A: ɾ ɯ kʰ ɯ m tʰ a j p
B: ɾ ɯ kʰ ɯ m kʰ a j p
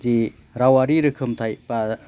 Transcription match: A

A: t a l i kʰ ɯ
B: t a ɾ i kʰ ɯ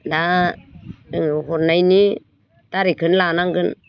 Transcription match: B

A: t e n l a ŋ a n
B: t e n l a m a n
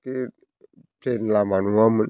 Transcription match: B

